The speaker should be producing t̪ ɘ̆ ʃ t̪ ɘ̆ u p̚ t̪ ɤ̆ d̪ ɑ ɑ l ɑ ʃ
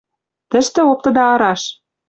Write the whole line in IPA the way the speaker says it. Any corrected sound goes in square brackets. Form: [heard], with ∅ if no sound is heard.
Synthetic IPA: t̪ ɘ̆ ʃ t̪ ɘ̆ [o] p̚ t̪ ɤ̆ d̪ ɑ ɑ [ɾ] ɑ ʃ